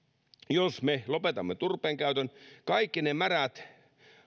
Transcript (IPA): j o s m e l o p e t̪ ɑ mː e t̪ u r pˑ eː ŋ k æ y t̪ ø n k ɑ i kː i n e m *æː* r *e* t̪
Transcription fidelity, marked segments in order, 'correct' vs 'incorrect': incorrect: æ, incorrect: æ

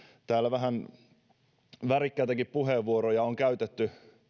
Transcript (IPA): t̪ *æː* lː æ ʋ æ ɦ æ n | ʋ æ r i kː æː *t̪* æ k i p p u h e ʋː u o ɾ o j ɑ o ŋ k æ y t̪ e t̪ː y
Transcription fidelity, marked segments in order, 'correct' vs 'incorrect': correct, correct

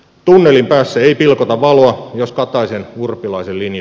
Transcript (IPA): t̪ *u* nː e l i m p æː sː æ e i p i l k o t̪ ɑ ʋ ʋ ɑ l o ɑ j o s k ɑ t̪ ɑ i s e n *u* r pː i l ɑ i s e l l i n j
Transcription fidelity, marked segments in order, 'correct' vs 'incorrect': correct, correct

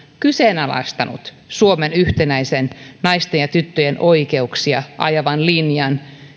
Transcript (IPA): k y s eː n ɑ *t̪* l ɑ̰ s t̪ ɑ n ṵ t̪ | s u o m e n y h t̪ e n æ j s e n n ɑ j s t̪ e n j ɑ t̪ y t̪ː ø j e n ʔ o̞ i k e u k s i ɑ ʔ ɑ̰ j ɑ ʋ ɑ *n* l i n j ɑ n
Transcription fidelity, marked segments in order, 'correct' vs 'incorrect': incorrect: none, correct

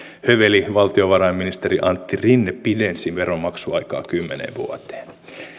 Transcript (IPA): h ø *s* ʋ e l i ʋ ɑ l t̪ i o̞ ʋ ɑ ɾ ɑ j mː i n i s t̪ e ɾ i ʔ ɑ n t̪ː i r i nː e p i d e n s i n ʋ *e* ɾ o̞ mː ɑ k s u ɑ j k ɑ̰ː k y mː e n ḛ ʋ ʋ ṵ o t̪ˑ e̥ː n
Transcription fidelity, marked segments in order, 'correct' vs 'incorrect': incorrect: none, correct

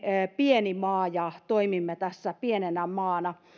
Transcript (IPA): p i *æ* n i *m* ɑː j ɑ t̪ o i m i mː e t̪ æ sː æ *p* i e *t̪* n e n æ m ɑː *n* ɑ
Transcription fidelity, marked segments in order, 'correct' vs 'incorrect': incorrect: e, correct, correct, incorrect: none, correct

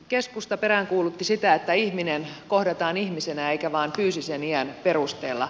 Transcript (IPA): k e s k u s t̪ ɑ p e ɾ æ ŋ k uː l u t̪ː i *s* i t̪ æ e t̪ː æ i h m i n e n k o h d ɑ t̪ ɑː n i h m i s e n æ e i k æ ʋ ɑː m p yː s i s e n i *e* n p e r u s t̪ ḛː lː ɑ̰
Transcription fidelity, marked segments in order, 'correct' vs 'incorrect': correct, incorrect: æ

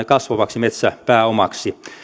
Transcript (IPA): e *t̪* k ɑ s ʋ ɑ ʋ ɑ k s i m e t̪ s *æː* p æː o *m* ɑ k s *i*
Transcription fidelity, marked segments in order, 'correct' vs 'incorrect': incorrect: none, incorrect: æ, correct, correct

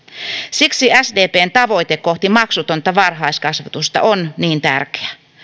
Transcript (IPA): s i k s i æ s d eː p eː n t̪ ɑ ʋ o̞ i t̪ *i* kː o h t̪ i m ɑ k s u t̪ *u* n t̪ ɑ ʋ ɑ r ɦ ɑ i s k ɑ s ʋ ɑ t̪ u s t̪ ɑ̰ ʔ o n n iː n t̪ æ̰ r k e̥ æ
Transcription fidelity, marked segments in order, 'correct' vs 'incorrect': incorrect: e, incorrect: o

